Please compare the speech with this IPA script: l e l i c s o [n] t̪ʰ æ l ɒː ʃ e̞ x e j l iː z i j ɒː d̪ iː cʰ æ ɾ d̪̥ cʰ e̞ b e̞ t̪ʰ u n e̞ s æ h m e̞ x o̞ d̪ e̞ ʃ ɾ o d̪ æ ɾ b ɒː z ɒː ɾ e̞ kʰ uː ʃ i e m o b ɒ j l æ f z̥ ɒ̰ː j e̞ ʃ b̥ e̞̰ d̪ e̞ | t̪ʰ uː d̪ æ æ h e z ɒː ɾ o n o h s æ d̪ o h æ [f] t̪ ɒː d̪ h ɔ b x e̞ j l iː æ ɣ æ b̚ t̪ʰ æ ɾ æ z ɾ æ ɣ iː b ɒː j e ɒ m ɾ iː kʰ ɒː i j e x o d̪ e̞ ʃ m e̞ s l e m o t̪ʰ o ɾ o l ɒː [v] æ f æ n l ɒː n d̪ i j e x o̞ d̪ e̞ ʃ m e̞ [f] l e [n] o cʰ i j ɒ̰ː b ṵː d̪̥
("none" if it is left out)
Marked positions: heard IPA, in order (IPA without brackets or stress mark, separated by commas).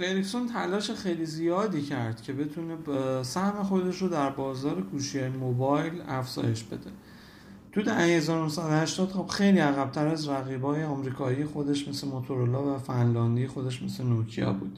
n, ʃ, v, s, n